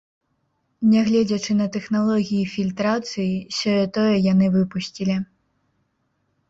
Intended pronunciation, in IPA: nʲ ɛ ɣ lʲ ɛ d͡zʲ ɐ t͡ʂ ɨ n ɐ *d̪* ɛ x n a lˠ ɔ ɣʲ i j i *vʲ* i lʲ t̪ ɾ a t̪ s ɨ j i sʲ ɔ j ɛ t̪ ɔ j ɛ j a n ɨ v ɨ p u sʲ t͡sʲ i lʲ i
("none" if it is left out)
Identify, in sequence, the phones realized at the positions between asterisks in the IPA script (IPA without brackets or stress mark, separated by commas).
t̪, fʲ